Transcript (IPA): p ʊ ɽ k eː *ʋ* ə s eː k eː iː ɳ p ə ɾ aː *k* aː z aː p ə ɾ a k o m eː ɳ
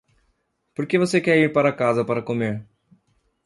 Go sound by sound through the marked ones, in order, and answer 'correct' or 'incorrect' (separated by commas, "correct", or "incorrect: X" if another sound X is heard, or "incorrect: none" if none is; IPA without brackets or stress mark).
correct, correct